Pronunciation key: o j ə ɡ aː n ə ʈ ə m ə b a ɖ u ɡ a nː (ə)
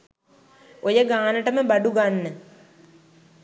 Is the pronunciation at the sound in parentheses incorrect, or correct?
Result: correct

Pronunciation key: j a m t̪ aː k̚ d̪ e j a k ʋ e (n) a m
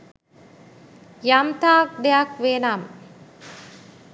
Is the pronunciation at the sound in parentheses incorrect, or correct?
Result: correct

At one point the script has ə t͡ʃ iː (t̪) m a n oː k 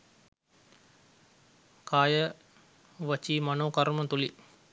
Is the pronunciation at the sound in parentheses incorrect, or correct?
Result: incorrect: none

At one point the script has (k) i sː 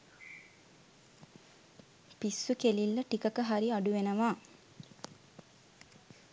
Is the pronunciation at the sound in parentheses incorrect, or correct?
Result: incorrect: p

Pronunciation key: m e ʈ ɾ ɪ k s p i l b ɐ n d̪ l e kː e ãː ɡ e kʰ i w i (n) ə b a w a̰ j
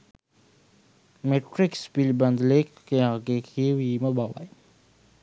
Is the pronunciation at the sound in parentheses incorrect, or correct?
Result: incorrect: m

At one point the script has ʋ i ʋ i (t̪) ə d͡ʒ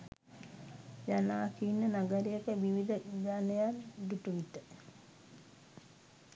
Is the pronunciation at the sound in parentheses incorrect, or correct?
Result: incorrect: d̪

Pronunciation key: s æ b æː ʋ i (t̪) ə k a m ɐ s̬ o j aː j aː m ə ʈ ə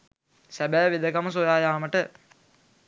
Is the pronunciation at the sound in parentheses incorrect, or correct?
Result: incorrect: d̪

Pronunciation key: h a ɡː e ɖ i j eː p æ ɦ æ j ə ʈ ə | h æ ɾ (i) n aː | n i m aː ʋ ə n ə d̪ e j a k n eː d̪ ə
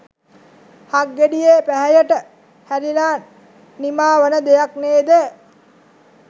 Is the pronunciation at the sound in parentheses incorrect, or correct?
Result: correct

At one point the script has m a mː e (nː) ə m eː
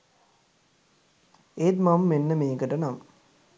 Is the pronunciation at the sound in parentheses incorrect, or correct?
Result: correct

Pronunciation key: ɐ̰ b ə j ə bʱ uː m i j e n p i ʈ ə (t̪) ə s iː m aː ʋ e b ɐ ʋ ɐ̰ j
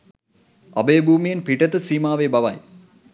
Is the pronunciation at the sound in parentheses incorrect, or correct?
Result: correct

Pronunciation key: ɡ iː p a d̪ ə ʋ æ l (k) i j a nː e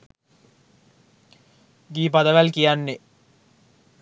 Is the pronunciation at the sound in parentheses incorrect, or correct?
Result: correct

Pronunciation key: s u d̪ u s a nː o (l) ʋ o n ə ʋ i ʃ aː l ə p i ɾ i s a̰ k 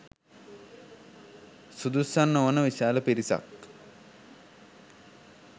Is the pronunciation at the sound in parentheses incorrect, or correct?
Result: incorrect: none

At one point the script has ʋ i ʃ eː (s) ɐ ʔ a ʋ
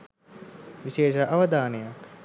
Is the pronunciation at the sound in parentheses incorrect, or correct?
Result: incorrect: ʃ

